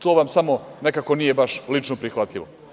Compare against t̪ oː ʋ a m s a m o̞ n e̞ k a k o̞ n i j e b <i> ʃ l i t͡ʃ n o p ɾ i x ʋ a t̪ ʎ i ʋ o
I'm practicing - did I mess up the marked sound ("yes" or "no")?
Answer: yes